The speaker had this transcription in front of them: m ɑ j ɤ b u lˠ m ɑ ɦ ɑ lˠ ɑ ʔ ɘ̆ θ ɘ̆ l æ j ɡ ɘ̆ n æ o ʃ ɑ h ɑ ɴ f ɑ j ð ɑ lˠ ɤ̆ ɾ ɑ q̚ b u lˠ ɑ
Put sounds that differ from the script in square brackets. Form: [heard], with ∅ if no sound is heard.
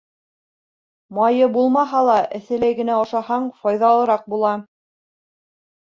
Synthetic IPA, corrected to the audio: m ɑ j ɤ b u lˠ m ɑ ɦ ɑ lˠ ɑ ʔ ɘ̆ θ ɘ̆ l æ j ɡ ɘ̆ n æ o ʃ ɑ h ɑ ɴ f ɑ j ð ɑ lˠ ɤ̆ ɾ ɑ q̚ b u lˠ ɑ